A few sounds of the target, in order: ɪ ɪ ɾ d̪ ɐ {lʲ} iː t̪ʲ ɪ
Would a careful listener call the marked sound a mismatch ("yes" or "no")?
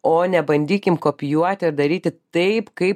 yes